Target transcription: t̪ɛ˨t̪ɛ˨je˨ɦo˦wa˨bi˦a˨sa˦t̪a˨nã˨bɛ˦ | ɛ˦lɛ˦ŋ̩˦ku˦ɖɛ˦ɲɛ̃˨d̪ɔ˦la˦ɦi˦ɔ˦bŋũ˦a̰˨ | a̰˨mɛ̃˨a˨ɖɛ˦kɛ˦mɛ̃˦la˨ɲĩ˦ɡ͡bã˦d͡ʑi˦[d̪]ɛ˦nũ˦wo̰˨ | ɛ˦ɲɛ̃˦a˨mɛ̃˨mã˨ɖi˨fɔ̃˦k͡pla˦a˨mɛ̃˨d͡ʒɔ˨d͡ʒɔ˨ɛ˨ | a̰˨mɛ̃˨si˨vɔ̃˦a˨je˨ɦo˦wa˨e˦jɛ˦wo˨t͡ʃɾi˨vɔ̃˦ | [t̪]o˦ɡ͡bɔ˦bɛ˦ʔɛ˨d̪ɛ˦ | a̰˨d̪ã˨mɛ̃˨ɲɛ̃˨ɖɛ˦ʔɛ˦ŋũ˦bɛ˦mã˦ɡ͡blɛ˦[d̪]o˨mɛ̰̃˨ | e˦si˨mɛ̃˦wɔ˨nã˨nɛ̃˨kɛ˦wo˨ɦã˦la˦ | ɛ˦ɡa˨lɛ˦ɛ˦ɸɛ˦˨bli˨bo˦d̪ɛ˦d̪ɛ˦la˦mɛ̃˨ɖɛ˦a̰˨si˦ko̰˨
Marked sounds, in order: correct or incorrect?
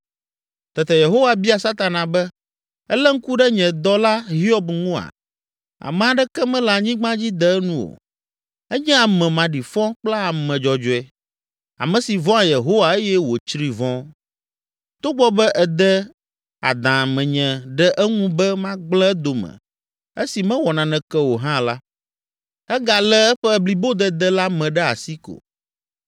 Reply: correct, correct, correct

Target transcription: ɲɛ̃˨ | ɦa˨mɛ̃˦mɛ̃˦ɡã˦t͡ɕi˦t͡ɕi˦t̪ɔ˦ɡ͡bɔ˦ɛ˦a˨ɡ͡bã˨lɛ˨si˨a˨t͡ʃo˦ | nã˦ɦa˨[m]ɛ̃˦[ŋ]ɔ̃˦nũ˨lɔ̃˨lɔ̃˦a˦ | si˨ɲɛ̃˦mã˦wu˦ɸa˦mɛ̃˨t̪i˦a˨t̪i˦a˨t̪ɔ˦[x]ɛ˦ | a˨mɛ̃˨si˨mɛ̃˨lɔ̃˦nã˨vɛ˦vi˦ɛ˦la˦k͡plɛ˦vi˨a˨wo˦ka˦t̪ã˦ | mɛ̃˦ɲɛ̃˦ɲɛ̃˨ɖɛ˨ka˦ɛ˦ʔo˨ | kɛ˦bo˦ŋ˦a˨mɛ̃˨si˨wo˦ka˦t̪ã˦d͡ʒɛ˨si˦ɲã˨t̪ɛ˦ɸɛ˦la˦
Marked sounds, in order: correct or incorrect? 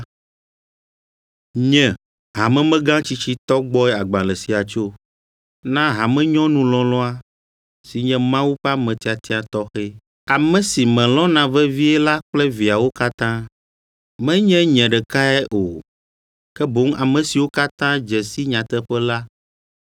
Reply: correct, incorrect, correct

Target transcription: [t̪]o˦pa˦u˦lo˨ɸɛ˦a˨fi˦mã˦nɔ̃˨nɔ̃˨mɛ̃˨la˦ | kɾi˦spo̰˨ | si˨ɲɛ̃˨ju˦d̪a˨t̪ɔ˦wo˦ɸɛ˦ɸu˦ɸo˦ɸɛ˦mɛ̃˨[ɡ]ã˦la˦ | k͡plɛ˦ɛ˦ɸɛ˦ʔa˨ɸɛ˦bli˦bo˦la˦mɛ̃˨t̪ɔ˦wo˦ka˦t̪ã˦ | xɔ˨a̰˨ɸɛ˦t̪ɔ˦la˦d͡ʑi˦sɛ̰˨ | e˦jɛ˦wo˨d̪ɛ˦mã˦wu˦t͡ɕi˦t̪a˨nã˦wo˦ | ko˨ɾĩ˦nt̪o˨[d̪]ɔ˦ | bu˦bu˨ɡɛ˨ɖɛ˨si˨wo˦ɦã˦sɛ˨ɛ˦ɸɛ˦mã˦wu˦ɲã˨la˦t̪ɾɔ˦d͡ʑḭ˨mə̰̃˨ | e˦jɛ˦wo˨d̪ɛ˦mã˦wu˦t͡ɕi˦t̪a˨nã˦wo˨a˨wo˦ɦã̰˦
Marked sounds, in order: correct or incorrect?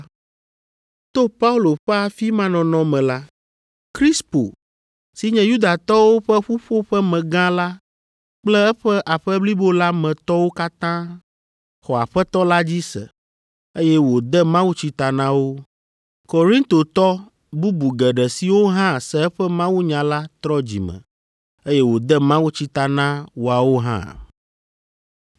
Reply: correct, correct, incorrect

